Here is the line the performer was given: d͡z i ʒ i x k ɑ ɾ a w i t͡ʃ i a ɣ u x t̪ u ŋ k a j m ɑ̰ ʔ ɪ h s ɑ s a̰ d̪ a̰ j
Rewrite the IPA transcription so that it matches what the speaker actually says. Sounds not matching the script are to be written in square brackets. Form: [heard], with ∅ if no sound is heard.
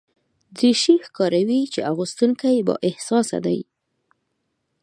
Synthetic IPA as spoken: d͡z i [ʃ] i x k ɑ ɾ a w i t͡ʃ [e] a ɣ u [s] t̪ u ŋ k a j [b] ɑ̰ ʔ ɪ h s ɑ s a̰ d̪ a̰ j